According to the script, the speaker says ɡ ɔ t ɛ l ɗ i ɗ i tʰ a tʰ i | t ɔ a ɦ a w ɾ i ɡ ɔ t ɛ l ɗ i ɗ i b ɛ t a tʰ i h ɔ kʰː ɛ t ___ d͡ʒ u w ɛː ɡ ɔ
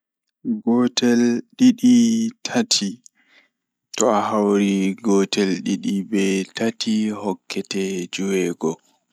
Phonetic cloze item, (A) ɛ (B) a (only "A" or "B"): A